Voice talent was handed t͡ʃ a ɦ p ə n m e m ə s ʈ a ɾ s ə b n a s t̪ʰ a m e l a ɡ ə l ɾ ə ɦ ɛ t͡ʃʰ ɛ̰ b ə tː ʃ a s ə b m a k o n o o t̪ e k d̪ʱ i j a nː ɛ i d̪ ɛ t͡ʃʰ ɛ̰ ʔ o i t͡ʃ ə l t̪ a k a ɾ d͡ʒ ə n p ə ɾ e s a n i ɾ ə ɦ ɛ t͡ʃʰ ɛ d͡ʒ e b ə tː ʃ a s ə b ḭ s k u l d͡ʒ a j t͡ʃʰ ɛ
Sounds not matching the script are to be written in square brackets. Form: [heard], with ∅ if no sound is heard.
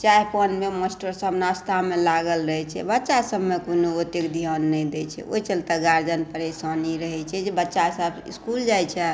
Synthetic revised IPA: t͡ʃ a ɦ p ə n m e m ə s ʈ [ə] ɾ s ə b n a s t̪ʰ a m e l a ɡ ə l ɾ ə ɦ ɛ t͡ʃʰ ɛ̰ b ə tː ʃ a s ə b m [e] k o n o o t̪ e k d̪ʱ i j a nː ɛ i d̪ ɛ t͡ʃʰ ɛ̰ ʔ o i t͡ʃ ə l t̪ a [ɡ] a ɾ d͡ʒ ə n p ə ɾ e s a n i ɾ ə ɦ ɛ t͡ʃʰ ɛ d͡ʒ e b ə tː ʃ a s ə b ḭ s k u l d͡ʒ a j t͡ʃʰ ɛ